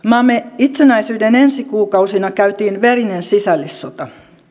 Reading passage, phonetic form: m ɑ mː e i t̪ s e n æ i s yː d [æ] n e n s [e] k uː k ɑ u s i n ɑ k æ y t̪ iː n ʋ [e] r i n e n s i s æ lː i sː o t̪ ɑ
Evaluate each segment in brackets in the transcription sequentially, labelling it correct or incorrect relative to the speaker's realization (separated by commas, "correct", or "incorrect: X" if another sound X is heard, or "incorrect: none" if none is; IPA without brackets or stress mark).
incorrect: e, incorrect: i, correct